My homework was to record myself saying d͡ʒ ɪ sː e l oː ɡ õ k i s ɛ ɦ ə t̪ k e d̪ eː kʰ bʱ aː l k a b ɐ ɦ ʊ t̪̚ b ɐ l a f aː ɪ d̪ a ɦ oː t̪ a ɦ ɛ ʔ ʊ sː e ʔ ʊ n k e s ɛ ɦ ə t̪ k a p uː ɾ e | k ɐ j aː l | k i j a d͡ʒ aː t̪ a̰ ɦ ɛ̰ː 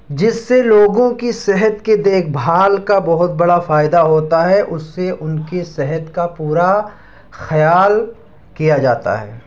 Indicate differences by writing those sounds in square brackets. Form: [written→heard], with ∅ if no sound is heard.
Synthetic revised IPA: d͡ʒ ɪ sː e l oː ɡ õ k i s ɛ ɦ ə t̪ k e d̪ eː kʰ bʱ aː l k a b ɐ ɦ ʊ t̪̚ b ɐ [l→ɽ] a f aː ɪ d̪ a ɦ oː t̪ a ɦ ɛ ʔ ʊ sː e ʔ ʊ n k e s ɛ ɦ ə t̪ k a p uː ɾ [e→a] | [k→x] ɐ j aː l | k i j a d͡ʒ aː t̪ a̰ ɦ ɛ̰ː